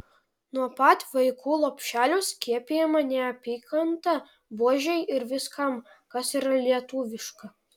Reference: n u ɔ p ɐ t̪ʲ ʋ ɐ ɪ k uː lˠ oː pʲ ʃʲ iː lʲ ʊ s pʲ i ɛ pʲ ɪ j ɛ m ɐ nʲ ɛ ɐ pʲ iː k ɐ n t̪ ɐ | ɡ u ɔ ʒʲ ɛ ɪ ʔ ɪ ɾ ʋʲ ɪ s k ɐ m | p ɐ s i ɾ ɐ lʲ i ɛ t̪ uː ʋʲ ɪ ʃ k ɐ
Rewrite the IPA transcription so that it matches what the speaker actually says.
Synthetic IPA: n u ɔ p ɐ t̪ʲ ʋ ɐ ɪ k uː lˠ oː pʲ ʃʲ æː lʲ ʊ s kʲ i ɛ pʲ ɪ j ɛ m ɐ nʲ ɛ ɐ pʲ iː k ɐ n t̪ ɐ | b u ɔ ʒʲ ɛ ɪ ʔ ɪ ɾ ʋʲ ɪ s k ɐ m | k ɐ s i ɾ ɐ lʲ i ɛ t̪ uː ʋʲ ɪ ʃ k ɐ